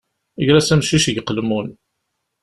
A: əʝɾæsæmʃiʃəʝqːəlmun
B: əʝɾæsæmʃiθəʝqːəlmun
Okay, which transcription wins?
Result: A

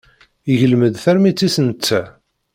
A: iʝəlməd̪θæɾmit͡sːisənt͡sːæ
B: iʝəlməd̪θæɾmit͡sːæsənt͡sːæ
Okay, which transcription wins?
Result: A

